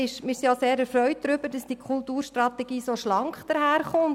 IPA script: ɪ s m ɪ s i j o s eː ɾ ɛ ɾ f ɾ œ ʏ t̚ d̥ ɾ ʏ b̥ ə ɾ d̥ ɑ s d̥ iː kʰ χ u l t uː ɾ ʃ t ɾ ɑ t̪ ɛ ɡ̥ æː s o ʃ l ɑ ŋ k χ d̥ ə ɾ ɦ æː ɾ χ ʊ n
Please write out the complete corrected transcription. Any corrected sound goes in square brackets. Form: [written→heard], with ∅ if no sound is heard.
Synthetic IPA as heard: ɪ [s→ʃ] m ɪ s i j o s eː ɾ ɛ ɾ f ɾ œ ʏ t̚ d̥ ɾ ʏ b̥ ə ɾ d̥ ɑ s d̥ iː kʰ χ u l t uː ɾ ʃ t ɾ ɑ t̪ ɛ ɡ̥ [æː→iː] s o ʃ l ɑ ŋ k χ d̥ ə ɾ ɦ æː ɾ χ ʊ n

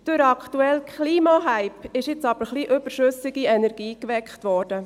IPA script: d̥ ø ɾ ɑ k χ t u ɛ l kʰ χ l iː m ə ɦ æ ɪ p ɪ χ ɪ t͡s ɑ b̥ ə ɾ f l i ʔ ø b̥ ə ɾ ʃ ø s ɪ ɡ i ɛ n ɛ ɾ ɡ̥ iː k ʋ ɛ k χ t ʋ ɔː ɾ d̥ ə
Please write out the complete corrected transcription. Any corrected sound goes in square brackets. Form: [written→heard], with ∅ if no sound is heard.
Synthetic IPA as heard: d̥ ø ɾ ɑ k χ t u ɛ l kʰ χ l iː m [ə→ɑ] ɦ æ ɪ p ɪ [χ→ʃ] ɪ t͡s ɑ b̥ ə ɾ [f→χ] l i ʔ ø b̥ ə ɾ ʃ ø s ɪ ɡ i ɛ n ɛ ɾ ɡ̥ iː k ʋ ɛ k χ t ʋ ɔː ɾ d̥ ə

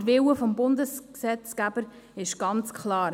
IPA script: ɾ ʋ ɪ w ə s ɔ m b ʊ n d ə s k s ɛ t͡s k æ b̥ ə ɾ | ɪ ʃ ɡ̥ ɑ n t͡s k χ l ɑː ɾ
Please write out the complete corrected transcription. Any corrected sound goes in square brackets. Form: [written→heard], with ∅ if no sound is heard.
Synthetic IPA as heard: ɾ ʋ ɪ w ə [s→f] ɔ m b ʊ n d ə s k s ɛ t͡s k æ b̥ ə ɾ | ɪ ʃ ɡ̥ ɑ n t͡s k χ l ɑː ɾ

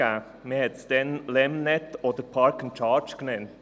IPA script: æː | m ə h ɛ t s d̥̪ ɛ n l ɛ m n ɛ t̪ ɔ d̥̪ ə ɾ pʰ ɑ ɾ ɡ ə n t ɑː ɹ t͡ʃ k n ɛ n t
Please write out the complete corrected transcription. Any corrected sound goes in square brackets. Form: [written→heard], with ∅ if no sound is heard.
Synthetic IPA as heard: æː | m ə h ɛ t s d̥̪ ɛ n l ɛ m n ɛ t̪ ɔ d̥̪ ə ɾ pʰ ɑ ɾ [ɡ→k] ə n [t→t͡ʃ] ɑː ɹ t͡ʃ k n ɛ n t

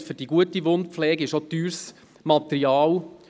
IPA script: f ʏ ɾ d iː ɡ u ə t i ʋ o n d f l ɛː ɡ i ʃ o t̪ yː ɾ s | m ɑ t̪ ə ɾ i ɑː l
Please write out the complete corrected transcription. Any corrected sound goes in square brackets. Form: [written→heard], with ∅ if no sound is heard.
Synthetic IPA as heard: f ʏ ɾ d [iː→i] ɡ u ə t i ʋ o n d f l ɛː ɡ [i→ɪ] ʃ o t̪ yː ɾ s | m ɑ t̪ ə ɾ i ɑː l

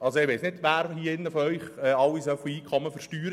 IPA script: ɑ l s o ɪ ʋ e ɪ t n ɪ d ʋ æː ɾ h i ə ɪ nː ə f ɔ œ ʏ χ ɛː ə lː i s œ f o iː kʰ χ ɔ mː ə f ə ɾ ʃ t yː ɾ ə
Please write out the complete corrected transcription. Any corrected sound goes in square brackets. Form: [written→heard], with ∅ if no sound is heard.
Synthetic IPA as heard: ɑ l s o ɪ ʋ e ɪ [t→s] n ɪ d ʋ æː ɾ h i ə ɪ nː ə f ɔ œ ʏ χ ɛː [ə→ɑ] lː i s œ f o iː kʰ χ ɔ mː ə f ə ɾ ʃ t yː ɾ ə

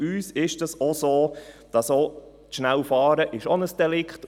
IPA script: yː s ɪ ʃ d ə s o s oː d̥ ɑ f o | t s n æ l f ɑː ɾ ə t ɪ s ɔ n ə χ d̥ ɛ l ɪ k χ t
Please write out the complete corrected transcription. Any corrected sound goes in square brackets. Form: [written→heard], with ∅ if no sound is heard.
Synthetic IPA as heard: yː s ɪ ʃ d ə s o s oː d̥ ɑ [f→s] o | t [s→ʃ] n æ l f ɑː ɾ ə [t→ʔ] ɪ [s→ʃ] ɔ n ə [χ→s] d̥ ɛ l ɪ k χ t

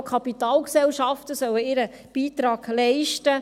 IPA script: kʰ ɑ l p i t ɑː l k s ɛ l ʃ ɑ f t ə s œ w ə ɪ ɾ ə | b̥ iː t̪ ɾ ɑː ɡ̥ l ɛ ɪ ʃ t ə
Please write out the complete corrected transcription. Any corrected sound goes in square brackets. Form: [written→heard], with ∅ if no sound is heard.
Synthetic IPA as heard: kʰ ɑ [l→∅] p i t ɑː l k s ɛ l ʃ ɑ f t ə s œ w ə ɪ ɾ ə | b̥ iː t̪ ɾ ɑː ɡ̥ l ɛ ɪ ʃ t ə

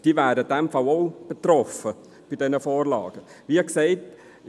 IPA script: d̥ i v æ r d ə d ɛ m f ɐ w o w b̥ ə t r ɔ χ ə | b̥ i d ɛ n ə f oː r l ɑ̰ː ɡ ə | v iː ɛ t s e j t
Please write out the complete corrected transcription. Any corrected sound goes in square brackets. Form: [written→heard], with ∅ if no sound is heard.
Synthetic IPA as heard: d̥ i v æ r d ə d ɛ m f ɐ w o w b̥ ə t r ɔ [χ→f] ə | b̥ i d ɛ n ə f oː r l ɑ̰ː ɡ ə | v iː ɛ [t→k] s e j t

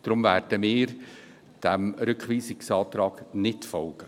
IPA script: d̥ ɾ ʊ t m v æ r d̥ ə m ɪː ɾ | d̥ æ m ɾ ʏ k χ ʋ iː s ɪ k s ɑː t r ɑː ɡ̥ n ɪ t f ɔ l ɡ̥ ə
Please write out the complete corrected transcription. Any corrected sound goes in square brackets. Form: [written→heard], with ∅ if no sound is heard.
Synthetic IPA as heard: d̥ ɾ ʊ [t→∅] m v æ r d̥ ə m ɪː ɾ | d̥ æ m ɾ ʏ k χ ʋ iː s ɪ k s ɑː t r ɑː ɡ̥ n ɪ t f ɔ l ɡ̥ ə

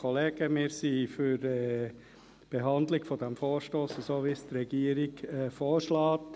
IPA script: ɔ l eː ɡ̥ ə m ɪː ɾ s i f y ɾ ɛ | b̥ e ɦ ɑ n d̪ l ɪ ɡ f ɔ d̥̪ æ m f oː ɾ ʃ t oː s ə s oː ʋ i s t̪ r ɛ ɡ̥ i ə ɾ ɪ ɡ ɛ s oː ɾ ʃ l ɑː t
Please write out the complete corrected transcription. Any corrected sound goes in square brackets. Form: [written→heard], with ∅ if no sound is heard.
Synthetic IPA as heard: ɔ l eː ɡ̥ ə m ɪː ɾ s i f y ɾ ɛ | b̥ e ɦ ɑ n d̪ l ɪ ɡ f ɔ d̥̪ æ m f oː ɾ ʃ t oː s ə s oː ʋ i s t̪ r ɛ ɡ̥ i ə ɾ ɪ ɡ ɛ [s→f] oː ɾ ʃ l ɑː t

